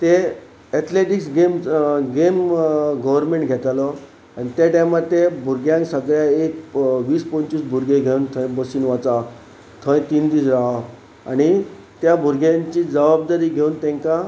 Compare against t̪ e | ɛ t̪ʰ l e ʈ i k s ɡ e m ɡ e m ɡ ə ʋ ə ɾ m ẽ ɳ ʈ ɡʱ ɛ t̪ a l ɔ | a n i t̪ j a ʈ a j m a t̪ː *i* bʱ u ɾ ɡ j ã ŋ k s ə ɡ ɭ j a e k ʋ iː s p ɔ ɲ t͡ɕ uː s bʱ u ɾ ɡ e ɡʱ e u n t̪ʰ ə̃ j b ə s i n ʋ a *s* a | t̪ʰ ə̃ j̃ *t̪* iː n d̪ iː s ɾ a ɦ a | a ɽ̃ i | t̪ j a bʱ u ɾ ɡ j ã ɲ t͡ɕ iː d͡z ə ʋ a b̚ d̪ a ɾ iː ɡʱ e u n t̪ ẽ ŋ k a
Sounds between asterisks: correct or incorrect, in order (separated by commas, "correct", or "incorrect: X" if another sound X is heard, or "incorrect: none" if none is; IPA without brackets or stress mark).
incorrect: e, incorrect: t͡s, correct